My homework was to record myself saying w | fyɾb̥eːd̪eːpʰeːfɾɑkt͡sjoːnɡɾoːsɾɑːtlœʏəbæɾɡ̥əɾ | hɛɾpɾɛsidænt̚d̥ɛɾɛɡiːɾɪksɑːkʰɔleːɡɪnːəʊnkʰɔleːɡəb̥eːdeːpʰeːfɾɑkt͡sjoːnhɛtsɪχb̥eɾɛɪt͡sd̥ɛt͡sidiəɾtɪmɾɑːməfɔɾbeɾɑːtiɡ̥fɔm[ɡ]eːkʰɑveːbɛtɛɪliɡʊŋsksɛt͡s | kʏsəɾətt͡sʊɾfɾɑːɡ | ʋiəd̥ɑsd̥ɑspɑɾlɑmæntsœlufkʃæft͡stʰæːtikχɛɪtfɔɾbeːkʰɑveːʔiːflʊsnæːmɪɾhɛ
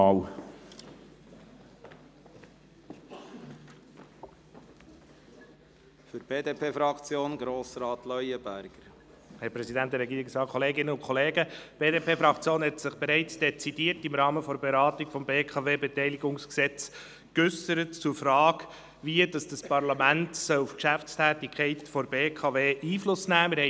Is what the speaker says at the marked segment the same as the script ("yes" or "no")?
no